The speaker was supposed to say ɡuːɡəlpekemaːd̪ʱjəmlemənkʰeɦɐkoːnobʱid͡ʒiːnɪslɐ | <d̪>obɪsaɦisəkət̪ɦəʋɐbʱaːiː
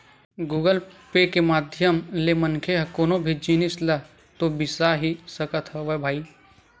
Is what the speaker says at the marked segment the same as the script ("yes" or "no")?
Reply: no